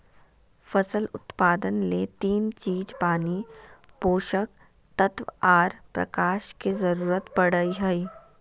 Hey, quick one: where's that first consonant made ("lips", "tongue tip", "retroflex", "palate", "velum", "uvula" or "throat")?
lips